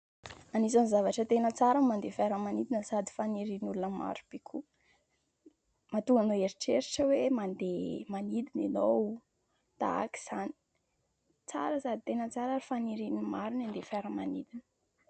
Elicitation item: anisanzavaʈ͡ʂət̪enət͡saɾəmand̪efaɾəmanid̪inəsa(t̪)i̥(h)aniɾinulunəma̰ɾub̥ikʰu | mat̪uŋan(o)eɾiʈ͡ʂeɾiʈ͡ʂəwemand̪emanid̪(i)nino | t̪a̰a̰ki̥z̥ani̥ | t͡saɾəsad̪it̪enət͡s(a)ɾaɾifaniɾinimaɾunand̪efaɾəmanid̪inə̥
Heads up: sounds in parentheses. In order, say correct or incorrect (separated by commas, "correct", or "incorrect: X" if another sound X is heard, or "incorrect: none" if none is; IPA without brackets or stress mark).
incorrect: d̪, incorrect: f, correct, correct, correct